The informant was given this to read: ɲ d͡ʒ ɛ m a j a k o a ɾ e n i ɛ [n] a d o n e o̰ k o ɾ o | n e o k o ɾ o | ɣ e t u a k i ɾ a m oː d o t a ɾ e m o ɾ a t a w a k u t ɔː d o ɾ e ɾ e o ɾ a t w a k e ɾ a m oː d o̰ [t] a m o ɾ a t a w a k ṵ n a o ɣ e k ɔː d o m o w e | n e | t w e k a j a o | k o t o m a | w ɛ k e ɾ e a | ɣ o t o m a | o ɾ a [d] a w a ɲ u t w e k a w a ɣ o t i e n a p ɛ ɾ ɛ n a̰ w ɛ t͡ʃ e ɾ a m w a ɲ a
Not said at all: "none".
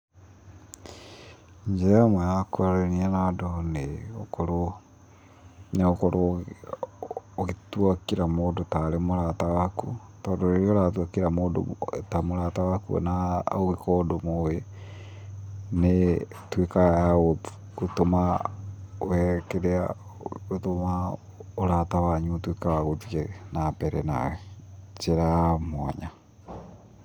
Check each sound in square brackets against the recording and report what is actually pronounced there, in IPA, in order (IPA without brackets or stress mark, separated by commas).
n, t, t